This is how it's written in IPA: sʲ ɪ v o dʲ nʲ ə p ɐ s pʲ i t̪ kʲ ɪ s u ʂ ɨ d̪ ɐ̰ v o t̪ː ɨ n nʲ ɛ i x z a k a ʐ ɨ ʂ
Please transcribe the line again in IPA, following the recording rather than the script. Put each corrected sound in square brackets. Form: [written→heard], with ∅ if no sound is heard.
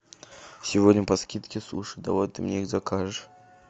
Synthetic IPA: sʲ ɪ v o dʲ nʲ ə p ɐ s [pʲ→kʲ] i t̪ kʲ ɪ s u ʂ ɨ d̪ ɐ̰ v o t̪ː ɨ [n→m] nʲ [ɛ→e] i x z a k a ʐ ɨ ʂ

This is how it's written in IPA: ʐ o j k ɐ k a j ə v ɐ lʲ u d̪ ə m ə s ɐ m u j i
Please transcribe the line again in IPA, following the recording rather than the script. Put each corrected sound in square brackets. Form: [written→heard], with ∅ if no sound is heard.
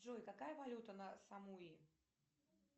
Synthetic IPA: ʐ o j k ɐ k a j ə v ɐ lʲ u [d̪→t̪] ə [m→n] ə s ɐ m u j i

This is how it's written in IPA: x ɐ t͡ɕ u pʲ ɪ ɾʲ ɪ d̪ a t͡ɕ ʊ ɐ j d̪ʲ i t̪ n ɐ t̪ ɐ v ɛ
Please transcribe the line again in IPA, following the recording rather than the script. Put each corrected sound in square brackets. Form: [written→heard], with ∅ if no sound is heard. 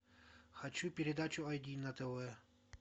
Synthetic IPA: x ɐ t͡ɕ u pʲ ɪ ɾʲ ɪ d̪ a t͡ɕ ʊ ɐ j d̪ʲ i [t̪→∅] n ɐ t̪ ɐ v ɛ

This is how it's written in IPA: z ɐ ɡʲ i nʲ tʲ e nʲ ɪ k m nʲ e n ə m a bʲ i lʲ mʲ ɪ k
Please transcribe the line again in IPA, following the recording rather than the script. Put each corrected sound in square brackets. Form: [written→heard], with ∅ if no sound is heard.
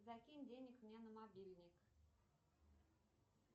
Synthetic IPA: z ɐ [ɡʲ→kʲ] i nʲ [tʲ→dʲ] e nʲ ɪ k m nʲ e n ə m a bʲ i lʲ [mʲ→nʲ] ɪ k

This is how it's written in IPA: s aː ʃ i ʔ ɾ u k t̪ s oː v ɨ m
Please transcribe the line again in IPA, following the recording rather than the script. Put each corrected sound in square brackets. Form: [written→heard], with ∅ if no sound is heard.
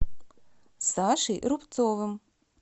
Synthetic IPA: s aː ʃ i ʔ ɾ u [k→p] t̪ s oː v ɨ m

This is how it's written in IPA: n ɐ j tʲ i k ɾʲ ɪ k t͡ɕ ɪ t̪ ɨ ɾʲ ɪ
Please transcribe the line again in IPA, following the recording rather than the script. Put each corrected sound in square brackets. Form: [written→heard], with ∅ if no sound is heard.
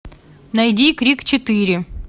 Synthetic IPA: n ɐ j [tʲ→dʲ] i k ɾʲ [ɪ→i] k t͡ɕ ɪ t̪ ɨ ɾʲ ɪ

